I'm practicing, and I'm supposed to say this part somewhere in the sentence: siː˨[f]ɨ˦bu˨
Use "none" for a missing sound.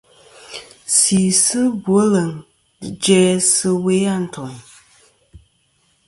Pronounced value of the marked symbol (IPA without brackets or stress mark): s